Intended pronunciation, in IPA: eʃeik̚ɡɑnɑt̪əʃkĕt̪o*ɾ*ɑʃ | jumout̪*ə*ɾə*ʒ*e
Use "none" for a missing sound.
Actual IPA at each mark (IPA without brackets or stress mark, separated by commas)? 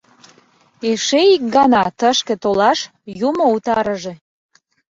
l, ɑ, ʒ